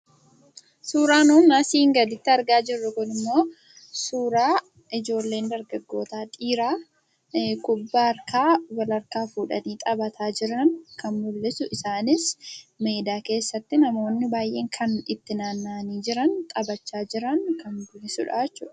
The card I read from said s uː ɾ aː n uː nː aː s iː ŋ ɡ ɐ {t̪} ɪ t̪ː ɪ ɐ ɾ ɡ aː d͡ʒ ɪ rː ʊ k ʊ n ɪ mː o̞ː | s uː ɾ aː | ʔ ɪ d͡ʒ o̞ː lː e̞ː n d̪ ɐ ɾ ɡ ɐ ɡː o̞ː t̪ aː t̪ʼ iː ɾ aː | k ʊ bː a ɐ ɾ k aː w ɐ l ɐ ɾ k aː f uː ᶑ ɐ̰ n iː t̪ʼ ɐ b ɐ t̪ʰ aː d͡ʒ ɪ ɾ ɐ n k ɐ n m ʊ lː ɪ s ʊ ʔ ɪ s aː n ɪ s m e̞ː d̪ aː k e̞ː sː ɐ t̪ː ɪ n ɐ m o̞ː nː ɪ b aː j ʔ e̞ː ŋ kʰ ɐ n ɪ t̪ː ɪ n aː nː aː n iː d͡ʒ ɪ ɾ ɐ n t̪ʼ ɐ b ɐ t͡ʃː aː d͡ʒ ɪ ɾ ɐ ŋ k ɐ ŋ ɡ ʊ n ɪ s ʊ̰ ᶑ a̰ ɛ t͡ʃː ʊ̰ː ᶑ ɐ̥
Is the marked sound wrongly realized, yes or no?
yes